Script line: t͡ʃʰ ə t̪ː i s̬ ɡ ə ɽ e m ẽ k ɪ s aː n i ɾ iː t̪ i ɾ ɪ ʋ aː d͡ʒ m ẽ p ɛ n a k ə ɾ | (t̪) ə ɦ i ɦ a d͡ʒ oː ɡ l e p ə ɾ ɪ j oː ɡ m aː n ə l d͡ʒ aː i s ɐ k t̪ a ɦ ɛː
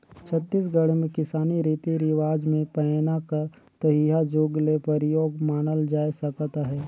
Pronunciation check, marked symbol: correct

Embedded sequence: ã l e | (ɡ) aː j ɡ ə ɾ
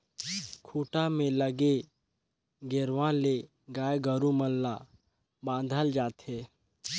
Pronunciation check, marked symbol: correct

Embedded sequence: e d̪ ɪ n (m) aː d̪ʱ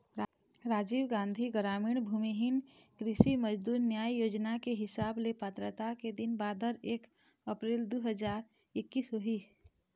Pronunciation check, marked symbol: incorrect: b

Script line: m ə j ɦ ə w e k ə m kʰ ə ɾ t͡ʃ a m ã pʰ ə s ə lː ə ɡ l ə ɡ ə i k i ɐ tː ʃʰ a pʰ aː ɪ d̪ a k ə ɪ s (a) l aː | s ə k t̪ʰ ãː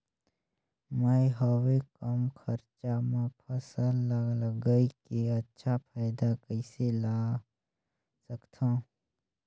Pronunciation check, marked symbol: incorrect: e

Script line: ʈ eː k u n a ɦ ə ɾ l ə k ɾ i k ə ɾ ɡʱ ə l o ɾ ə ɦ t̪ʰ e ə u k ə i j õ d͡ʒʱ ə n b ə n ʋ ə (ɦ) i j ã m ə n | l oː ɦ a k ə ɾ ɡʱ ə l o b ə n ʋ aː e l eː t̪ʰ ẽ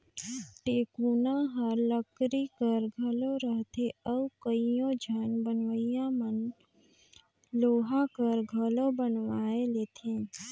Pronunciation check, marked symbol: incorrect: none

